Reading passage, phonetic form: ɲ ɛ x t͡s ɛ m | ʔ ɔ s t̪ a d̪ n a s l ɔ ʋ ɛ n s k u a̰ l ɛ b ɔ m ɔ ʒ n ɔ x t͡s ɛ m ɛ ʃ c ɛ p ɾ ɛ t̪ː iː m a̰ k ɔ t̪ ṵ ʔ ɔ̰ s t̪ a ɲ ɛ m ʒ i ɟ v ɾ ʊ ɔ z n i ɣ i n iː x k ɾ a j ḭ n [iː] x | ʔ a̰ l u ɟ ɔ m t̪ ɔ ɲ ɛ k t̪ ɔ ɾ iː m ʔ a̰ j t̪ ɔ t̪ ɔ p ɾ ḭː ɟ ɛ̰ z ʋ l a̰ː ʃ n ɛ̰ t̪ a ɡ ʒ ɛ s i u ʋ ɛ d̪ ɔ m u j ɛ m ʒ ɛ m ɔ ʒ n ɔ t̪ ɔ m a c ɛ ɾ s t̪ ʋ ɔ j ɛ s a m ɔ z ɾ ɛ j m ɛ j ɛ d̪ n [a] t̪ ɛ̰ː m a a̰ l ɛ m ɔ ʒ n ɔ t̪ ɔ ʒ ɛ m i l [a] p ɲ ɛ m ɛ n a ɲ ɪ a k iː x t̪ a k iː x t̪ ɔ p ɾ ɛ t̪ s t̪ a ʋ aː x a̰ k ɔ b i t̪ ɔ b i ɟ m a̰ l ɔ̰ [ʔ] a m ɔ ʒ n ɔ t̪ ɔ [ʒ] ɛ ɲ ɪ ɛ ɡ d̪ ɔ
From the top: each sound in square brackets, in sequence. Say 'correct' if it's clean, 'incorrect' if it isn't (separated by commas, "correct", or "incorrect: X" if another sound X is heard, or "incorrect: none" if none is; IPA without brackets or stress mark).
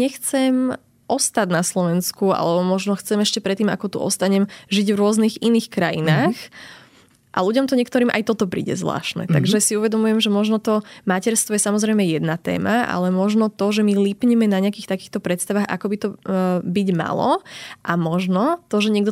incorrect: aː, correct, incorrect: i, correct, correct